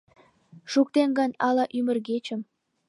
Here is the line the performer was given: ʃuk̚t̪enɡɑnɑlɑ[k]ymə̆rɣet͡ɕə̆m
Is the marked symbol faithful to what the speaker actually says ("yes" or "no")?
no